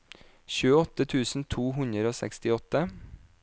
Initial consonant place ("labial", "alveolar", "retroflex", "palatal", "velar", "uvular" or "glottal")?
palatal